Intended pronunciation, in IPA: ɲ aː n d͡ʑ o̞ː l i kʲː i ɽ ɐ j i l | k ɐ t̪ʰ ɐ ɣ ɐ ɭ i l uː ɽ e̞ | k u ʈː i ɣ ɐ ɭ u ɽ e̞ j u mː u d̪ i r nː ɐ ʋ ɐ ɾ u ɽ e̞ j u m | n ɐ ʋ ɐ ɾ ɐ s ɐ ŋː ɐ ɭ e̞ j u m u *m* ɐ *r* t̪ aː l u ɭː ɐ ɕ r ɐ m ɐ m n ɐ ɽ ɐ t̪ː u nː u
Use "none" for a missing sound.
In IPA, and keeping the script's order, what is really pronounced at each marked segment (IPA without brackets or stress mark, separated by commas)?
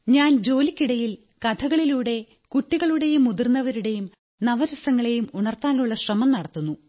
ɳ, r